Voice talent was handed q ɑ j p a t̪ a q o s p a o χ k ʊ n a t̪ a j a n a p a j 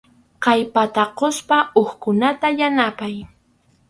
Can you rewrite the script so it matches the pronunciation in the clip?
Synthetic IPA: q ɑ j p a t̪ a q o s p a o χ k ʊ n a t̪ a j a n a p a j